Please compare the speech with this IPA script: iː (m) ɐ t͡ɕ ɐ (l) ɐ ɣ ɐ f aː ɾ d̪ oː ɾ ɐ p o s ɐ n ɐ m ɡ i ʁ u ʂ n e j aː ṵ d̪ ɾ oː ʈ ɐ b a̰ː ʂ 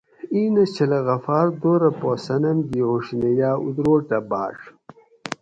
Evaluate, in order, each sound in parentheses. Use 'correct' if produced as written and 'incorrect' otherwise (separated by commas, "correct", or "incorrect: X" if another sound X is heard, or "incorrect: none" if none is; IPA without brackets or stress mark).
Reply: incorrect: n, correct